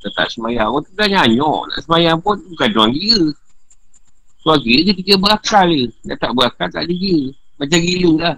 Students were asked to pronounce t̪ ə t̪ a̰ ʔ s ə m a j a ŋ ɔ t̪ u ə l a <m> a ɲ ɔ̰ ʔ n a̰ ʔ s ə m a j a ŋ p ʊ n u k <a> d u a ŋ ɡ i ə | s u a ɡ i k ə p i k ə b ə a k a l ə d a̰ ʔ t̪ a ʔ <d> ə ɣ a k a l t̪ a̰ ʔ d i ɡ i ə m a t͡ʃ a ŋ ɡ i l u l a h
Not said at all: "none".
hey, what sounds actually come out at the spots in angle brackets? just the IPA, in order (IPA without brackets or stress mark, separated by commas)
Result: ɲ, a, b